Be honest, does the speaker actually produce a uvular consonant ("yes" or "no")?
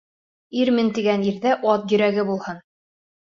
no